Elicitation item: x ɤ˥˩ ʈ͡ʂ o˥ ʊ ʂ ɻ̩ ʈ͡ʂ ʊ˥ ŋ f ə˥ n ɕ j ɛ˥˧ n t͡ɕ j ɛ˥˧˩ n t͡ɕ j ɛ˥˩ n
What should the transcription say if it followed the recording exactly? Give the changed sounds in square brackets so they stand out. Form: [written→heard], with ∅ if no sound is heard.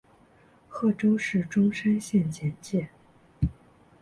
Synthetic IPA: x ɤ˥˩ ʈ͡ʂ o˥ ʊ ʂ ɻ̩ ʈ͡ʂ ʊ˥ ŋ [f→ʂ] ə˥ n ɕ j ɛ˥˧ n t͡ɕ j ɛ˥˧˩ n t͡ɕ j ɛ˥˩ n